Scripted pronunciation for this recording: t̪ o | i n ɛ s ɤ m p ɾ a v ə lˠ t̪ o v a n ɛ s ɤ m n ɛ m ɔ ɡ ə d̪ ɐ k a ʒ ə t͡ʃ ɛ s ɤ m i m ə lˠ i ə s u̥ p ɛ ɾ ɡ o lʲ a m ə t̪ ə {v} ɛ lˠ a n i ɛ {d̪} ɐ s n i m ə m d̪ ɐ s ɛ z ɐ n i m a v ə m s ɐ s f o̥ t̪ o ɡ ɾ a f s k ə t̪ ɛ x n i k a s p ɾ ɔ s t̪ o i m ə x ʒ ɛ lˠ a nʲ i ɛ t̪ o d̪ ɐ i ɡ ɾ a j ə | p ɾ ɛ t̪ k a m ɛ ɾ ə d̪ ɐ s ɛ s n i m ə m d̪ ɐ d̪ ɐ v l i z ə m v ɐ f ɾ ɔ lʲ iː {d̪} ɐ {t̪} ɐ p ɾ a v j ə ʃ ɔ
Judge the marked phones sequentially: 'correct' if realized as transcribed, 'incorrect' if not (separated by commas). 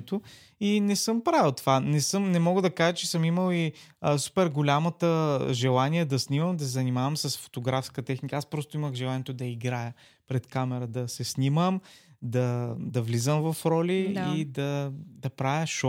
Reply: incorrect, correct, correct, incorrect